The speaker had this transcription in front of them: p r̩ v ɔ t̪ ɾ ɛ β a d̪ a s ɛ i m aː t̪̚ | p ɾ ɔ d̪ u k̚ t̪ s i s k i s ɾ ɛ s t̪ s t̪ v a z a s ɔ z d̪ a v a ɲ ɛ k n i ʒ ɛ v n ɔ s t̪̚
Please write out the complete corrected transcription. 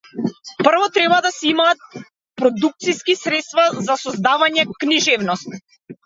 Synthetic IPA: p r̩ v ɔ t̪ ɾ ɛ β a d̪ a s ɛ i m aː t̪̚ | p ɾ ɔ d̪ u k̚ t̪ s i s k i s ɾ ɛ t̪ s t̪ v a z a s ɔ z d̪ a v a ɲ ɛ k n i ʒ ɛ v n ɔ s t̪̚